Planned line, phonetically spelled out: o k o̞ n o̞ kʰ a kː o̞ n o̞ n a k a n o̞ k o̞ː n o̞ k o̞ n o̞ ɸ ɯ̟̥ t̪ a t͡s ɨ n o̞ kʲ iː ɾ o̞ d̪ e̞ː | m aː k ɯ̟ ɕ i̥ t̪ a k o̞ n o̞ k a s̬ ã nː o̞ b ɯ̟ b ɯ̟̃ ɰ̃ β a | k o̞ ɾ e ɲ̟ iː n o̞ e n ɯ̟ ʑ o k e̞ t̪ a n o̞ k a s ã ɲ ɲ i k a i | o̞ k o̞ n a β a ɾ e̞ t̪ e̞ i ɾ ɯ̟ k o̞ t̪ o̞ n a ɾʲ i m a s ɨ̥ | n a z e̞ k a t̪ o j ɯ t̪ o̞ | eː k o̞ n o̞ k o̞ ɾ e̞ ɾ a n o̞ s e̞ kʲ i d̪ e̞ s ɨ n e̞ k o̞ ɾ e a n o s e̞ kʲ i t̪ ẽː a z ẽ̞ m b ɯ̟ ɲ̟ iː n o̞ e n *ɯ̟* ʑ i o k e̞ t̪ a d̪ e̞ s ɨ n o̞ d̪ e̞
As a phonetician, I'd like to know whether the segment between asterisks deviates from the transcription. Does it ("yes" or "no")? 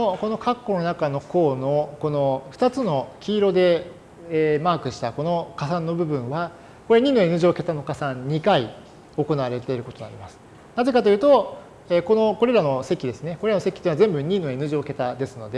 no